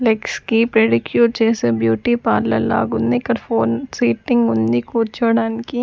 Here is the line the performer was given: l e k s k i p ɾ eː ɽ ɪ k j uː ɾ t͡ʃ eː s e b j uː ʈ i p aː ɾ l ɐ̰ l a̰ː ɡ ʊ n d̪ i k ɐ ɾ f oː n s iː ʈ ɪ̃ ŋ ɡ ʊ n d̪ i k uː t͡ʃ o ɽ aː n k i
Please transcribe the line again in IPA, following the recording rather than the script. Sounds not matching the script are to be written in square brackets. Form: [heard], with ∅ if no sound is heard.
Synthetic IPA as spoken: l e k s k i p ɾ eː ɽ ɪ k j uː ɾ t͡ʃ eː s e b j uː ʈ i p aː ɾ l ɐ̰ l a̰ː ɡ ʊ n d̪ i k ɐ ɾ f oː n s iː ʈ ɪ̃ ŋ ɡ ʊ n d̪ i k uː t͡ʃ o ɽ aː n k i